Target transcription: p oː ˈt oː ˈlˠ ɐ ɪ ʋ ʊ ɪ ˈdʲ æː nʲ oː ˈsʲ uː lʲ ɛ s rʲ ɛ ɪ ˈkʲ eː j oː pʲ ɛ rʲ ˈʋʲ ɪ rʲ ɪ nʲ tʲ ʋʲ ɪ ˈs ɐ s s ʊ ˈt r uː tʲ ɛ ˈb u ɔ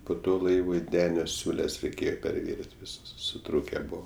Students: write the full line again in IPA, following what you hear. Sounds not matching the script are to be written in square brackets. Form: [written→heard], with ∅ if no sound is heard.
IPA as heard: p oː ˈt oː ˈlˠ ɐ ɪ ʋ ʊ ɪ ˈdʲ æː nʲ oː ˈsʲ uː lʲ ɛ s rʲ ɛ ɪ ˈkʲ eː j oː pʲ ɛ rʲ ˈʋʲ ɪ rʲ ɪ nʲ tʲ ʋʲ ɪ ˈs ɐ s s ʊ ˈt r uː [tʲ→kʲ] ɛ ˈb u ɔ